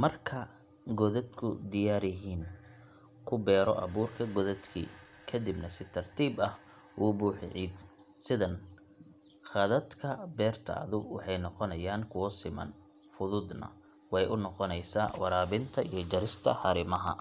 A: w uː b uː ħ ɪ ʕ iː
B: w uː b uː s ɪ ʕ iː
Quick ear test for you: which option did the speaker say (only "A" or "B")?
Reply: A